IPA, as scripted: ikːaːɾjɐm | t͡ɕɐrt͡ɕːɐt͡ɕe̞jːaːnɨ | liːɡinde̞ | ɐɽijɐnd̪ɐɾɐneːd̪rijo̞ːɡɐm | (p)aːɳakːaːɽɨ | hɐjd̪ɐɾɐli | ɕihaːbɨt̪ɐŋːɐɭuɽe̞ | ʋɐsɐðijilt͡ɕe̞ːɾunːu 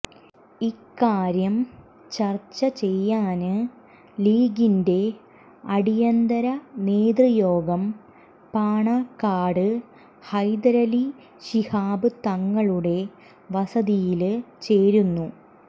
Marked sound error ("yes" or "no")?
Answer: no